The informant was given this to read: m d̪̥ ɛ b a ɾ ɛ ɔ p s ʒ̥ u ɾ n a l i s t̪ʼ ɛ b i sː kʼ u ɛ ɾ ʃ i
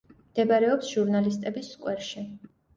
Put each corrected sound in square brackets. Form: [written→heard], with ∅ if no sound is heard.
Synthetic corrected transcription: m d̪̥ ɛ b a ɾ ɛ ɔ p s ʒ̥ u ɾ n a l i s t̪ʼ ɛ b i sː kʼ [u→w] ɛ ɾ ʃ i

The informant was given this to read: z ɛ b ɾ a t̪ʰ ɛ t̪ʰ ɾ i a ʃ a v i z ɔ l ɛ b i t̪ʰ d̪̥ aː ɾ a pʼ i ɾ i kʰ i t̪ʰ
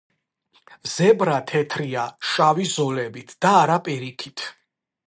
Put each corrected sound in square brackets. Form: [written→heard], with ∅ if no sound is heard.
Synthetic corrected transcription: z ɛ b ɾ a t̪ʰ ɛ t̪ʰ ɾ i a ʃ a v i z ɔ l ɛ b i t̪ʰ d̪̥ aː ɾ a pʼ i ɾ i kʰ i t̪ʰ

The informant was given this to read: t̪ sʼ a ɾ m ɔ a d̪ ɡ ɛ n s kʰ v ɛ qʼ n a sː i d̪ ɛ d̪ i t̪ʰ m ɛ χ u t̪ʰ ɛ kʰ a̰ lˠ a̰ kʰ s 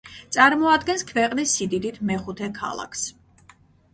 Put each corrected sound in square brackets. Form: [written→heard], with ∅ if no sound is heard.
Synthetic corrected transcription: t̪ sʼ a ɾ m ɔ a d̪ ɡ ɛ n s kʰ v ɛ qʼ n [a→i] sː i d̪ [ɛ→i] d̪ i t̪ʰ m ɛ χ u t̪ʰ ɛ kʰ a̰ lˠ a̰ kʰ s

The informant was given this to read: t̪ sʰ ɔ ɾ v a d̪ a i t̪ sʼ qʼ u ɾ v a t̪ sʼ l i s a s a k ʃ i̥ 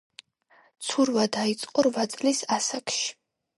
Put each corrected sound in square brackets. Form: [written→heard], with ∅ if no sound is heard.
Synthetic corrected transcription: t̪ sʰ [ɔ→u] ɾ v a d̪ a i t̪ sʼ qʼ [u→ɔ] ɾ v a t̪ sʼ l i s a s a k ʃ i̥

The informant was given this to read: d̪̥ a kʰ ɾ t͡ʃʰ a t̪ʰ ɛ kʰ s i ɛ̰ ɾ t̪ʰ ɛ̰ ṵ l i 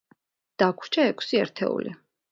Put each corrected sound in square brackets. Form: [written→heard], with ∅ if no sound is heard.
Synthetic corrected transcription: d̪̥ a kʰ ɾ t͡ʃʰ a [t̪ʰ→∅] ɛ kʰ s i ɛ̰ ɾ t̪ʰ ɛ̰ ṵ l i

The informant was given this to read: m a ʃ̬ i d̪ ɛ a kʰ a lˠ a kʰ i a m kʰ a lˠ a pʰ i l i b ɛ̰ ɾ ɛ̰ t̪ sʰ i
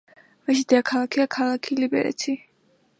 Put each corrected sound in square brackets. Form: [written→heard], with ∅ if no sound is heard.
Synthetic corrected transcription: m a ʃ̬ i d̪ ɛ a kʰ a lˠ a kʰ i a [m→∅] kʰ a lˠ a [pʰ→kʰ] i l i b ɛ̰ ɾ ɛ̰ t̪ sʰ i

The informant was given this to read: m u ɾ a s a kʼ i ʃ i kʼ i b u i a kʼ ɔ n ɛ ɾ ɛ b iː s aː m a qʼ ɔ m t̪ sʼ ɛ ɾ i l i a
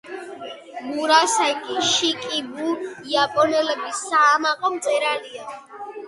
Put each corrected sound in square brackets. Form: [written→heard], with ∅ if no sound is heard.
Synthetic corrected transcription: m u ɾ a s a kʼ i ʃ i kʼ i b u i a [kʼ→pʼ] ɔ n ɛ [ɾ→l] ɛ b [iː→i] s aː m a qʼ ɔ m t̪ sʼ ɛ ɾ [i→a] l i a

